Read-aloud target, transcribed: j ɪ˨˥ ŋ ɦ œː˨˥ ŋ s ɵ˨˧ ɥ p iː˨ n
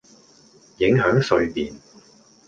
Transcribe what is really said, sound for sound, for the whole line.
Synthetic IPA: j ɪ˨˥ ŋ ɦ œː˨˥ ŋ s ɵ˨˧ ɥ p iː˨ n